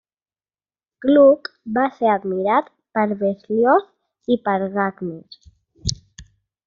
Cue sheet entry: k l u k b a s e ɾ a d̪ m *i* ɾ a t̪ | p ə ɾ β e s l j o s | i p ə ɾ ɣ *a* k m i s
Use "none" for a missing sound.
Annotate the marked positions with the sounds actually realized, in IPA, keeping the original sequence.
i, a

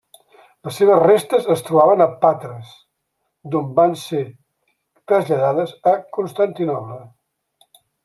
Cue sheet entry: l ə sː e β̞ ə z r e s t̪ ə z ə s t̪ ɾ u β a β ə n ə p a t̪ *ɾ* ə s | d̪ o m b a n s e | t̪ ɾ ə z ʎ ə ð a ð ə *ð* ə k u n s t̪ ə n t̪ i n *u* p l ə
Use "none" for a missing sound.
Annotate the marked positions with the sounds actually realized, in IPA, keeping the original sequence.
ɾ, z, ɔ

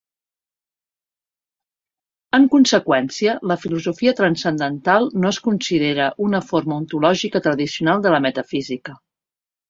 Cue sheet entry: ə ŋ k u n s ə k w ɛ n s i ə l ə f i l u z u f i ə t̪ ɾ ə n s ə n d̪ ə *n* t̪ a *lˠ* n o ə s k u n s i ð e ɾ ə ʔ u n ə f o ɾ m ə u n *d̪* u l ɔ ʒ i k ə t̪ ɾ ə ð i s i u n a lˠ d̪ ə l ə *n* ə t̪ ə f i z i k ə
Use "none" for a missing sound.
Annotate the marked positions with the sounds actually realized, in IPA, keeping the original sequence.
n, lˠ, t̪, m

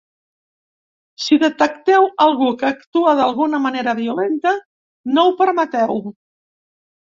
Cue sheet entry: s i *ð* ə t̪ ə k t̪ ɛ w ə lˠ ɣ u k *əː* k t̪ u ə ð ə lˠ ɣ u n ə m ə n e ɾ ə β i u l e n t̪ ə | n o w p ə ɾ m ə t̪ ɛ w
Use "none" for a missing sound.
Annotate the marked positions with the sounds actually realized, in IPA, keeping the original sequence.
ð, əː

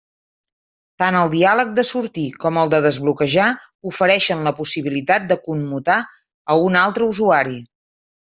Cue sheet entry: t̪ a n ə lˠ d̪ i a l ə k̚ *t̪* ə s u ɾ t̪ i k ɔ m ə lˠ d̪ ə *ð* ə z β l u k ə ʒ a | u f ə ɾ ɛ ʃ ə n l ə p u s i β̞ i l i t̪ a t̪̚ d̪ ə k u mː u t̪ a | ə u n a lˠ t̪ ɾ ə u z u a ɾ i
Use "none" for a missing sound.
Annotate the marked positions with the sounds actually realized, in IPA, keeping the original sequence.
d̪, ð

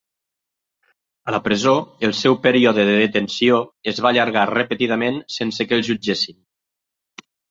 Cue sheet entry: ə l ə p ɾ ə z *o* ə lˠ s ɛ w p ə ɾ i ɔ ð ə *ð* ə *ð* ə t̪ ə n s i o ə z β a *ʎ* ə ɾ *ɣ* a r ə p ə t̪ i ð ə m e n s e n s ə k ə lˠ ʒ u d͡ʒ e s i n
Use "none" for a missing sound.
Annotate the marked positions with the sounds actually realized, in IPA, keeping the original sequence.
o, ð, ð, ʎ, ɣ

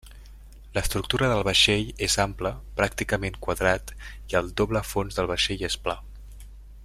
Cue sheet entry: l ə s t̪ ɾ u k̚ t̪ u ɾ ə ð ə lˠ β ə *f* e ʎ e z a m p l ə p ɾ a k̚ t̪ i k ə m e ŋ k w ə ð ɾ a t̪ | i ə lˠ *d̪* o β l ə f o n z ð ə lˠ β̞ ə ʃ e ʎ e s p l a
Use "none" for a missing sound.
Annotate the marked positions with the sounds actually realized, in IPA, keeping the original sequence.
ʃ, d̪

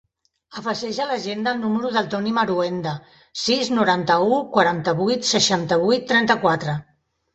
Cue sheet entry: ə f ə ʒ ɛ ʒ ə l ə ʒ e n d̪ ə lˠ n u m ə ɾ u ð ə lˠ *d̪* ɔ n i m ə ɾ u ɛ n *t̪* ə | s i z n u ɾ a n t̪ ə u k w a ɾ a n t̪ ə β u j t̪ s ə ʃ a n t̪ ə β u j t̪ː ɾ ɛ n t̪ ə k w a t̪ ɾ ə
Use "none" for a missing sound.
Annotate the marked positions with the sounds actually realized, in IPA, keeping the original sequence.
t̪, d̪

